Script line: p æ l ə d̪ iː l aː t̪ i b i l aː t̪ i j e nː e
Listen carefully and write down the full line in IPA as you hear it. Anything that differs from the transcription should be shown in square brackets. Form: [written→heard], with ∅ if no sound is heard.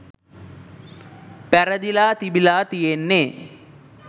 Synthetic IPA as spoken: p æ [l→ɾ] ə d̪ [iː→i] l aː t̪ i b i l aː t̪ i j e nː e